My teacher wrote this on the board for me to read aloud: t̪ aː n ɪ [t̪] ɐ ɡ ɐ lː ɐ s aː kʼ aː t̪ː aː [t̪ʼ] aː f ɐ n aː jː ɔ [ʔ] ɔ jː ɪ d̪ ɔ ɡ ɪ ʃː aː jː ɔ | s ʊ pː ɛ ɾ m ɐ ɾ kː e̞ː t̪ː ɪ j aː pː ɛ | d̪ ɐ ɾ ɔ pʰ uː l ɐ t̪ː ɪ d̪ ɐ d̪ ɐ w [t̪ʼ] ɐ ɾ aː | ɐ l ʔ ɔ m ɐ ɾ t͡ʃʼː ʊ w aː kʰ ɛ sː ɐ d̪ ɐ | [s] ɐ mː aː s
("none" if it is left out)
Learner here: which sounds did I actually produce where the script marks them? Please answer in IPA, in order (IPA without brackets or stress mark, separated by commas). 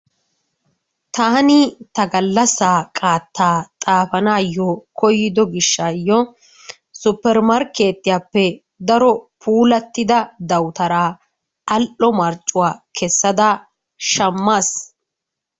t̪, t̪ʼ, k, t̪, ʃ